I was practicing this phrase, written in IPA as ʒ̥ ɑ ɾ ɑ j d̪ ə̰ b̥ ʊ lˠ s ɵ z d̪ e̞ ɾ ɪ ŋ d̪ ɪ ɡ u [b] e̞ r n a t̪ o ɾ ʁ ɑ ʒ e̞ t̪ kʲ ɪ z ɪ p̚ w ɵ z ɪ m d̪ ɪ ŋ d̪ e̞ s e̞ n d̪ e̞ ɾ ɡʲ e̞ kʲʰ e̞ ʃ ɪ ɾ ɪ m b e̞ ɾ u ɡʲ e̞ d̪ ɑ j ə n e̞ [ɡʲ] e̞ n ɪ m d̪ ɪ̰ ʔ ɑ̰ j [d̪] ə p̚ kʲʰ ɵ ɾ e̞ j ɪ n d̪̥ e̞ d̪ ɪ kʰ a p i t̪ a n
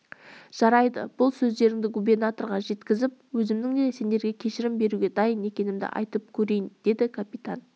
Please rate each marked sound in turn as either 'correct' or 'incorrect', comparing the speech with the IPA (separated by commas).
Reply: correct, incorrect, incorrect